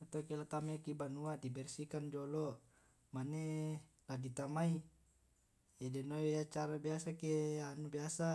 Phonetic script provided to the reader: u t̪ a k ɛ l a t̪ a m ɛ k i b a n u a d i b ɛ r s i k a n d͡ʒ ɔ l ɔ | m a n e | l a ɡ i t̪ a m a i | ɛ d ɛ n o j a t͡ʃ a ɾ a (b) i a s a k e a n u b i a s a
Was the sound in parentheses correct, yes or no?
yes